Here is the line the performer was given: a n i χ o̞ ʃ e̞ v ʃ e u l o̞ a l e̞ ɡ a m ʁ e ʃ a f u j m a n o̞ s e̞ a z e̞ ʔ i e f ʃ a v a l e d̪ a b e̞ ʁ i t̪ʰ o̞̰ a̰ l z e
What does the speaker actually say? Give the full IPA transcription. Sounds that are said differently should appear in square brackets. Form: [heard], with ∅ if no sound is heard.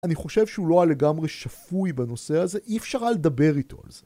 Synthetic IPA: a n i χ o̞ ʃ e̞ v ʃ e u l o̞ a l e̞ ɡ a m ʁ e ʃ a f u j [b] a n o̞ s e̞ a z e̞ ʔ i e f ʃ a [ʁ] a l e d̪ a b e̞ ʁ i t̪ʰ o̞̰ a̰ l z e